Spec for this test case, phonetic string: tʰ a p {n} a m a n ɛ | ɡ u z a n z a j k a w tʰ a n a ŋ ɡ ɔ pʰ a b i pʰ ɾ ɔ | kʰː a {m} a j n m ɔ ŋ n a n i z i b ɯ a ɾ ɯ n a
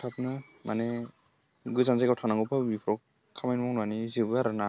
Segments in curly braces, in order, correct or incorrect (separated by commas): correct, correct